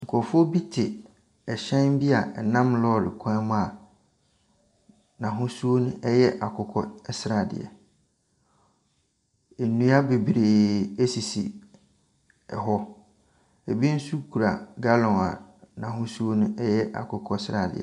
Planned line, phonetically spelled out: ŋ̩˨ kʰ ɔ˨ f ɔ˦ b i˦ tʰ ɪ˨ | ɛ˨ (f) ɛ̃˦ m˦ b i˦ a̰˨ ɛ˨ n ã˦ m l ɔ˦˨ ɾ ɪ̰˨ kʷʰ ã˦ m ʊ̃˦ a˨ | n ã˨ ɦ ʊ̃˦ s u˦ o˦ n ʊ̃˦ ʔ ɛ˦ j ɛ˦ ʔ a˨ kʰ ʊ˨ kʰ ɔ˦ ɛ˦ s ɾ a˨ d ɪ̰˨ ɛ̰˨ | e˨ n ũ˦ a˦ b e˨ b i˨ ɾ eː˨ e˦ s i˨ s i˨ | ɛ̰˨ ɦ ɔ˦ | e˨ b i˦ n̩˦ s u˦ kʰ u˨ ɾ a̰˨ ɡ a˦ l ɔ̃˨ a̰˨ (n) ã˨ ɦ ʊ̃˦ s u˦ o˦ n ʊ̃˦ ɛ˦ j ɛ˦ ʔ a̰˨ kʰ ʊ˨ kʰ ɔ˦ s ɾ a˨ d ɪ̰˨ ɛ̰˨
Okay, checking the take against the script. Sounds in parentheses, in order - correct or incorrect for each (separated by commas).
incorrect, correct